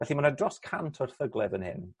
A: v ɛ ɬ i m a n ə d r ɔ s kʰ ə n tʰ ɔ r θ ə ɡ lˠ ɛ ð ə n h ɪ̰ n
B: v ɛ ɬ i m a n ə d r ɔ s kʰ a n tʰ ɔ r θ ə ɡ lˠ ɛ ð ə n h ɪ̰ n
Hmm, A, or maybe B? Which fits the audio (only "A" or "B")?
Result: B